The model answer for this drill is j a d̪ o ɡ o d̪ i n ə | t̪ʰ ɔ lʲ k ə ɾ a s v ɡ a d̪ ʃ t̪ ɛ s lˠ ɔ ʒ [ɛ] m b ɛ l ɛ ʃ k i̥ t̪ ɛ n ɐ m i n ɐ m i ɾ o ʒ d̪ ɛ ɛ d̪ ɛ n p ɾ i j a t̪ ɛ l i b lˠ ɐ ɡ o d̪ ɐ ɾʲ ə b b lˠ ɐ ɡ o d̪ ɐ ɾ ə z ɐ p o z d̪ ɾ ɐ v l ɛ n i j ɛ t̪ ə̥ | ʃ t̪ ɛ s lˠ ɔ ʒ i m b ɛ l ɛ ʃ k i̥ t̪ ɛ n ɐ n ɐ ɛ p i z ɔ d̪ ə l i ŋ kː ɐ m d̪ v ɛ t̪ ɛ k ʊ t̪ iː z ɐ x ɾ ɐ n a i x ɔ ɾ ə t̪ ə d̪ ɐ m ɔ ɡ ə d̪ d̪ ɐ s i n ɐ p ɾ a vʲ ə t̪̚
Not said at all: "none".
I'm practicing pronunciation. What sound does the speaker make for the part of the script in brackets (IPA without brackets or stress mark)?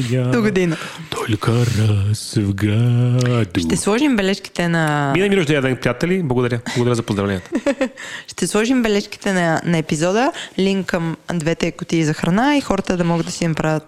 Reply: i